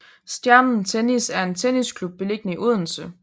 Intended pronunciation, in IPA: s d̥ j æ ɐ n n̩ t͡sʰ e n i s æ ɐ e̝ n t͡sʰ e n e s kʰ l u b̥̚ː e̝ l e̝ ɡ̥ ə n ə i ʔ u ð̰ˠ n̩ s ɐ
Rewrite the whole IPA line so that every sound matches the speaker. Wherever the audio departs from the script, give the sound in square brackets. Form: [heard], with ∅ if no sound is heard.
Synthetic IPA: s d̥ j æ ɐ n n̩ t͡sʰ e n i s æ ɐ e̝ n t͡sʰ e n [i] s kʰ l u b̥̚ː e̝ l e̝ ɡ̥ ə n ə i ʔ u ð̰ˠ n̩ s [ə]